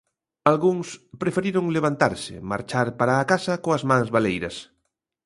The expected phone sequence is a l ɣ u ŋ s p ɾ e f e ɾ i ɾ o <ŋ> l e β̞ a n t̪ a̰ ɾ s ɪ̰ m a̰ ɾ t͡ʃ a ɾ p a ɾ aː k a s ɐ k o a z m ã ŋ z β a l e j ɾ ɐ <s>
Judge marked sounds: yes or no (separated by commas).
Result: yes, yes